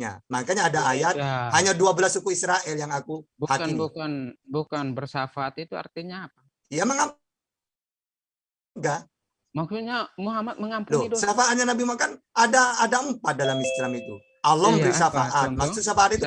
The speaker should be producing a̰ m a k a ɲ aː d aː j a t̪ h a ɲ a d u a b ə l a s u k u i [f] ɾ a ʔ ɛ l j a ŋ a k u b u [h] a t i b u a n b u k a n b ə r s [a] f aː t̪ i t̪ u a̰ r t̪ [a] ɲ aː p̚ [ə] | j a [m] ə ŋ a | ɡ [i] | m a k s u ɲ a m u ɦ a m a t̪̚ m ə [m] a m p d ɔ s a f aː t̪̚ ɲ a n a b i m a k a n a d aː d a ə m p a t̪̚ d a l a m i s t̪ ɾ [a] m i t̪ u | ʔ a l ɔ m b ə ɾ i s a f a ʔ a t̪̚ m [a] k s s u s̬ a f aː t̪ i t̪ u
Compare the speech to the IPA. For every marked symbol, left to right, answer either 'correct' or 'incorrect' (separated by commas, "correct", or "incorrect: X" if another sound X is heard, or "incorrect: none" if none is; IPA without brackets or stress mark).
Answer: incorrect: s, correct, correct, incorrect: i, incorrect: a, correct, incorrect: a, incorrect: ŋ, correct, correct